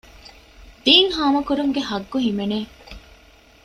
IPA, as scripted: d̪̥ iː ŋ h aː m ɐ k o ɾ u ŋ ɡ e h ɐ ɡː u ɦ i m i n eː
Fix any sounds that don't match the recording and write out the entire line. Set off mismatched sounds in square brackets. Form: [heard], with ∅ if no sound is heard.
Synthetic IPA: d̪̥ iː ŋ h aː m ɐ k [u] ɾ u ŋ ɡ e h ɐ ɡː u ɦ i m [e] n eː